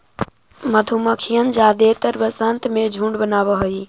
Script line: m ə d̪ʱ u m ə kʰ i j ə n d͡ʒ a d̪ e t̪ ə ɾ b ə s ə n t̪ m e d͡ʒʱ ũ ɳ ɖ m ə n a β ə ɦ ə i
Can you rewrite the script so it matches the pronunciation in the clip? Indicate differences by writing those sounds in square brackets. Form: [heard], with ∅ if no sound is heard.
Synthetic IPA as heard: m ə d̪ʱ u m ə kʰ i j ə n d͡ʒ a d̪ e t̪ ə ɾ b ə s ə n t̪ m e d͡ʒʱ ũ ɳ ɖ [b] ə n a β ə ɦ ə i